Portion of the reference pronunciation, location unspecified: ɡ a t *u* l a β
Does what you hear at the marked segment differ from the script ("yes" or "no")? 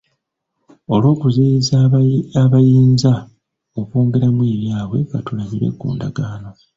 no